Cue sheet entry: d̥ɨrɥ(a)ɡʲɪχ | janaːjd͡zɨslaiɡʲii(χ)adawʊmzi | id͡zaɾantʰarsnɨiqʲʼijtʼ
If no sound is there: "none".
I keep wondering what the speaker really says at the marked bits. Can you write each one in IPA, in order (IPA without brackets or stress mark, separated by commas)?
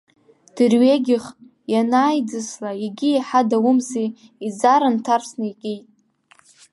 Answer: e, ħ